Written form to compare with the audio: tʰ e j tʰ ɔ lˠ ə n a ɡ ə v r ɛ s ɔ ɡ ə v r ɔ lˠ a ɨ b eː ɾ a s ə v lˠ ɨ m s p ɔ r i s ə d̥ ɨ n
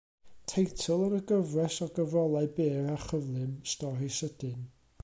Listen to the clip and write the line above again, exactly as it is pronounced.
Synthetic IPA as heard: tʰ e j tʰ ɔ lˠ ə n ə ɡ ə v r ɛ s ɔ ɡ ə v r ɔ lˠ a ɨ b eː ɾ a χ ə v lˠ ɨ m s t ɔ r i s ə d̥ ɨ n